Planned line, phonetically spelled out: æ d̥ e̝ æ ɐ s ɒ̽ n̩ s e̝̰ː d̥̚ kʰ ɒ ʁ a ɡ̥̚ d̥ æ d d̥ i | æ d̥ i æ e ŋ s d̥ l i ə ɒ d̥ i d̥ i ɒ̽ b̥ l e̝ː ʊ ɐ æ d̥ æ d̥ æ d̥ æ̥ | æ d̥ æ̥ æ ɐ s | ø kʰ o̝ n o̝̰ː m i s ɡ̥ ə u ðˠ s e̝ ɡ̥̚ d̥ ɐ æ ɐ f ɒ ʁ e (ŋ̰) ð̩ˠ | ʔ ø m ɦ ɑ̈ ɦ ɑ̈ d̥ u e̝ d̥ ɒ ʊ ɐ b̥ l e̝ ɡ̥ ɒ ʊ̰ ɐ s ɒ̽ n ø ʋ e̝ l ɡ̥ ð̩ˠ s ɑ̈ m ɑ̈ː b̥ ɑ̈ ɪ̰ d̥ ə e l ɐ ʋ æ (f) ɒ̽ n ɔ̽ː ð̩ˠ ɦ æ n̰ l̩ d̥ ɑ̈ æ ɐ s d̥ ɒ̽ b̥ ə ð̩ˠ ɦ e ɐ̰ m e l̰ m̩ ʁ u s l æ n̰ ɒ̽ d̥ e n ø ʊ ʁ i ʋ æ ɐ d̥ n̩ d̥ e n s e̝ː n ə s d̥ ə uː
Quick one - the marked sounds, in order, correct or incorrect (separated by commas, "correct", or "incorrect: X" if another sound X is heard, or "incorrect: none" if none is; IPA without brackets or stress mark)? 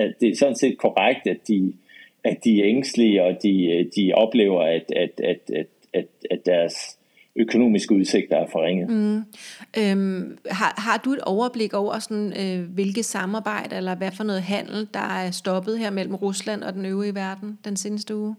correct, correct